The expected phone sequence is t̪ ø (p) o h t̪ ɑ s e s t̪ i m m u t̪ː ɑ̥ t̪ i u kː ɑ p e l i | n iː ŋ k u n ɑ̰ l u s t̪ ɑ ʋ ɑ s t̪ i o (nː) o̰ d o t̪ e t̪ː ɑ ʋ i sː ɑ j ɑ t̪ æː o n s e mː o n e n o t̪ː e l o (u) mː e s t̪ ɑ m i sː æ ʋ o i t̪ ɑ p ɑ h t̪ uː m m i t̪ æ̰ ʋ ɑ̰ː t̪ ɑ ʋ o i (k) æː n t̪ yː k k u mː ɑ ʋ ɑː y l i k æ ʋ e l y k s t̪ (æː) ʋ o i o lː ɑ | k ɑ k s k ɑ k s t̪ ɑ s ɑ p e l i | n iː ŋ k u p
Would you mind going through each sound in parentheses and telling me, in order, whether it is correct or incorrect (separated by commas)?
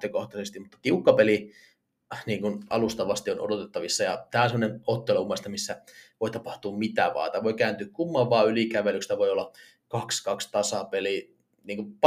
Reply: incorrect, incorrect, correct, correct, incorrect